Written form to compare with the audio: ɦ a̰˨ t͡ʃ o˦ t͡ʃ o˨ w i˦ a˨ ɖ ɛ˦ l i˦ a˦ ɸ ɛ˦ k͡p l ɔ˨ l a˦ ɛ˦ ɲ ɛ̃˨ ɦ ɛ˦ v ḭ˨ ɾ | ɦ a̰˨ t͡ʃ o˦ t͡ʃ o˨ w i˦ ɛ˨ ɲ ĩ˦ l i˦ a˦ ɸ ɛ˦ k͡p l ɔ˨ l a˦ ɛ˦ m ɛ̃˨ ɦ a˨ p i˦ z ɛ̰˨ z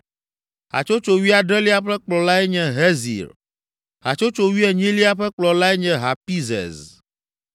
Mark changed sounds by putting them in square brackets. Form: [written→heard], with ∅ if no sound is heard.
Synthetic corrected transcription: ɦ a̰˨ t͡ʃ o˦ t͡ʃ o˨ w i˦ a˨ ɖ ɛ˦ l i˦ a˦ ɸ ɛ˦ k͡p l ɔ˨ l a˦ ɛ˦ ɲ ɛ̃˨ ɦ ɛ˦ [v→z] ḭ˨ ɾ | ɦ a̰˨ t͡ʃ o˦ t͡ʃ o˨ w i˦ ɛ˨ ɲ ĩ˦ l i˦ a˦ ɸ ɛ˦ k͡p l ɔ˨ l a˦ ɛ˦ [m→ɲ] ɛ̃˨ ɦ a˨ p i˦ z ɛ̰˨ z